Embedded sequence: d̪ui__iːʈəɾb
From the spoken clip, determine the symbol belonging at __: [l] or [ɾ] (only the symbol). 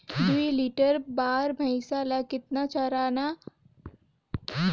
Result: l